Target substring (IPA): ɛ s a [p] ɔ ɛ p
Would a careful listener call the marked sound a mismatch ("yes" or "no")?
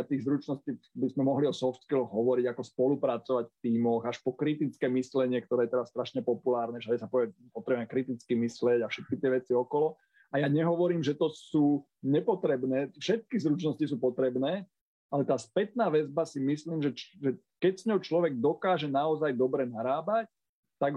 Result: no